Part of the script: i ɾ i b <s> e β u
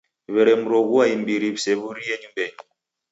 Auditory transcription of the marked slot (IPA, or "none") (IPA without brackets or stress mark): s